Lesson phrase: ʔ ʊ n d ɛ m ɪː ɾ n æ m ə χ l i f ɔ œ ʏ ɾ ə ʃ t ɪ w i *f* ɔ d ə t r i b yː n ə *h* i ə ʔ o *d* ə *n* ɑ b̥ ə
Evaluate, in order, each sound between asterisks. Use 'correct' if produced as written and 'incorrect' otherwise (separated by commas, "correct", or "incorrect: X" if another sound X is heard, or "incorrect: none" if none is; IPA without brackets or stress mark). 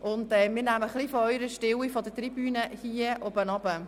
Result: correct, correct, incorrect: b, correct